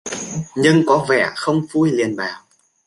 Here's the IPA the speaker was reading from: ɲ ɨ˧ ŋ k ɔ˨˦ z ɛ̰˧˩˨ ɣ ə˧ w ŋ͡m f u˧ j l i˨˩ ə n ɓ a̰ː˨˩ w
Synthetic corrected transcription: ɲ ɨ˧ ŋ k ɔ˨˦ v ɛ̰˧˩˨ x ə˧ w ŋ͡m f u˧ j l i˨˩ ə n ɓ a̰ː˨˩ w